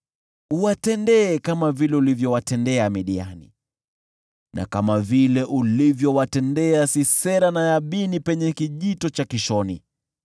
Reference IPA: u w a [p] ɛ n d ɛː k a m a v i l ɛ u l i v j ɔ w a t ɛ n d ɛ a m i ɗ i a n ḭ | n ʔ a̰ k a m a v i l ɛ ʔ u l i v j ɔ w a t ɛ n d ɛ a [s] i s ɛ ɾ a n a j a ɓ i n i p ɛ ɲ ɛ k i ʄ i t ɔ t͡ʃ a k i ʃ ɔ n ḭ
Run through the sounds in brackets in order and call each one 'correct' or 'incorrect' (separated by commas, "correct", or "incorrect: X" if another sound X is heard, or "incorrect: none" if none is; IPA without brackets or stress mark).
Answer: incorrect: t, correct